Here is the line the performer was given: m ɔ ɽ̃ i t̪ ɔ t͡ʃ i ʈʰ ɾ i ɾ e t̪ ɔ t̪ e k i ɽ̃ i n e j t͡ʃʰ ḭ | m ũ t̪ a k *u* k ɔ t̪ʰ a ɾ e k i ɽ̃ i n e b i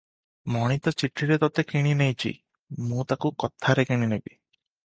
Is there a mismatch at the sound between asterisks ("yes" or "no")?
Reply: no